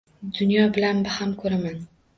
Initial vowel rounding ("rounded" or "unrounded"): rounded